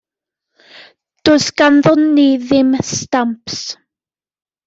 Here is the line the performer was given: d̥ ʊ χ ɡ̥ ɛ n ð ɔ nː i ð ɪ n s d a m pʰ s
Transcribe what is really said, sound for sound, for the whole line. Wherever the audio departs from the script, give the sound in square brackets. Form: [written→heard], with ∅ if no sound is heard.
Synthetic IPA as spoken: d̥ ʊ [χ→s] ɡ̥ [ɛ→a] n ð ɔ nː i ð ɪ [n→m] s [d→t] a m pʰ s